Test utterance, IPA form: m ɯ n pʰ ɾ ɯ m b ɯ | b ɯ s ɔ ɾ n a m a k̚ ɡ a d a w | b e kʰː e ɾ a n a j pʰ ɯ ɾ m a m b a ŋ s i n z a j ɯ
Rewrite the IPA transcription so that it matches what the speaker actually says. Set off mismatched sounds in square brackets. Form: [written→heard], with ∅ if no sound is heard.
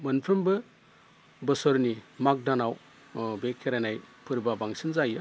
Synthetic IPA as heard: m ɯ n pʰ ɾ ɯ m b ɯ | b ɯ s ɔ ɾ n [a→i] m a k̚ [ɡ→d] a [d→n] a w | b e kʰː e ɾ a n a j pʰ ɯ ɾ [m→b] a [m→∅] b a ŋ s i n z a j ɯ